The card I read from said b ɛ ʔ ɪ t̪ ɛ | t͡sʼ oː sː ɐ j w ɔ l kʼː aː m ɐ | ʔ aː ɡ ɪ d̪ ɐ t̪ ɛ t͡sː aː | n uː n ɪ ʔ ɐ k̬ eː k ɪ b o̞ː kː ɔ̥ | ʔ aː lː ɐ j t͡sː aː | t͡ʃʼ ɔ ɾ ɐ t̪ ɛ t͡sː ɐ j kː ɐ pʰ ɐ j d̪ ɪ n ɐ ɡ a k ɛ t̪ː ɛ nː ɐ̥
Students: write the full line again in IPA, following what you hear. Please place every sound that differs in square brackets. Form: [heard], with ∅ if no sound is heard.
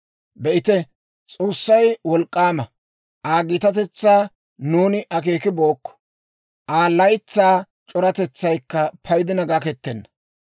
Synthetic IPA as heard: b ɛ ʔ ɪ t̪ ɛ | t͡sʼ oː sː ɐ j w ɔ l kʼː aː m ɐ | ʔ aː ɡ ɪ [t̪] ɐ t̪ ɛ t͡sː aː | n uː n ɪ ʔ ɐ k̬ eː k ɪ b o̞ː kː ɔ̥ | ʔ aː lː ɐ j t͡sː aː | t͡ʃʼ ɔ ɾ ɐ t̪ ɛ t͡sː ɐ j kː ɐ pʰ ɐ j d̪ ɪ n ɐ ɡ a k ɛ t̪ː ɛ nː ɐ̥

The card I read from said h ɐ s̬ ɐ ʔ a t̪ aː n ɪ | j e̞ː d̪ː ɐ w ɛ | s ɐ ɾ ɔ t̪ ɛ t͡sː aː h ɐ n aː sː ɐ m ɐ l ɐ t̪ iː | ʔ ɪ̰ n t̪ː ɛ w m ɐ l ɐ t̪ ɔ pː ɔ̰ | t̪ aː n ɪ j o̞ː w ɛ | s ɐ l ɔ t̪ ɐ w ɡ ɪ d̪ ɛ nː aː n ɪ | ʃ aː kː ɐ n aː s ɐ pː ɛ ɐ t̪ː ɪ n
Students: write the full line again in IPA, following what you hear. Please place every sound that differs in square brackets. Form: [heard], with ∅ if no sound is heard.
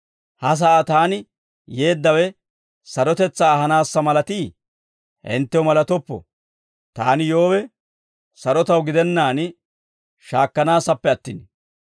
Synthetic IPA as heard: h ɐ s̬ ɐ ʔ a t̪ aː n ɪ | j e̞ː d̪ː ɐ w ɛ | s ɐ ɾ ɔ t̪ ɛ t͡sː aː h ɐ n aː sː ɐ m ɐ l ɐ t̪ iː | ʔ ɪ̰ n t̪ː ɛ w m ɐ l ɐ t̪ ɔ pː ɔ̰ | t̪ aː n ɪ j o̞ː w ɛ | s ɐ [ɾ] ɔ t̪ ɐ w ɡ ɪ d̪ ɛ nː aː n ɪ | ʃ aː kː ɐ n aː s ɐ pː ɛ ɐ t̪ː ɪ n

